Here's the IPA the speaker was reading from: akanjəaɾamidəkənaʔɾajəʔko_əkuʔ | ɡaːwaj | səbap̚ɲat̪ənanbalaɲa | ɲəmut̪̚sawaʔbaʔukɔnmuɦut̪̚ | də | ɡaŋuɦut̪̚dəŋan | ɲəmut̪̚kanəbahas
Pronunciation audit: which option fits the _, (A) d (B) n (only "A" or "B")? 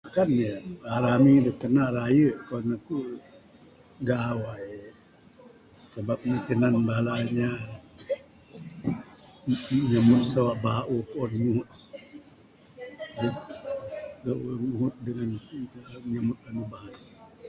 B